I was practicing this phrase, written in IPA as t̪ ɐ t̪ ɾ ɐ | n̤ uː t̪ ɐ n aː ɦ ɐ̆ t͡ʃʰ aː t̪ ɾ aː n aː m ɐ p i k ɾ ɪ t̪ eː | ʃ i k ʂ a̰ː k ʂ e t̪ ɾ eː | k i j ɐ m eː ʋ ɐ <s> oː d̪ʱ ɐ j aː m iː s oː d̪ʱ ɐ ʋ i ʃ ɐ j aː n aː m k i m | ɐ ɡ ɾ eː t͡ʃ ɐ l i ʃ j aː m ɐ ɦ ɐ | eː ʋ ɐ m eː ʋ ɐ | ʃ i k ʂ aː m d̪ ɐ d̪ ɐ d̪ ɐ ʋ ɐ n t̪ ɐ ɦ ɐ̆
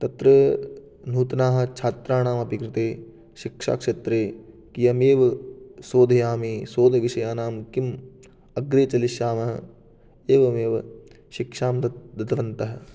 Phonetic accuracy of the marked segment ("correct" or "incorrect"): correct